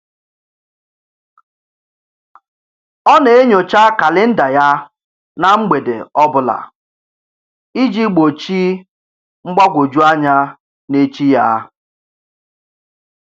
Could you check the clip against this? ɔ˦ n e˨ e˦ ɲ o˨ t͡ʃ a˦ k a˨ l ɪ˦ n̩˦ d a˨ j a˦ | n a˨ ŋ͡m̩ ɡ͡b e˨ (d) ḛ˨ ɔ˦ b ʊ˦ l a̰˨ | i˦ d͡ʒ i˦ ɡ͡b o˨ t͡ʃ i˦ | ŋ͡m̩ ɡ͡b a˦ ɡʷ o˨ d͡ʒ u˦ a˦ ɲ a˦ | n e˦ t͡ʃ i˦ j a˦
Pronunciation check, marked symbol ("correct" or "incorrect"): correct